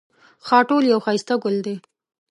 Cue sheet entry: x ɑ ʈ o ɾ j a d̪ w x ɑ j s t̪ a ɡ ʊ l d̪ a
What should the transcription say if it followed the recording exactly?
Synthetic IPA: x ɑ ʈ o l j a w x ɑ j s t̪ a ɡ ʊ l d̪ e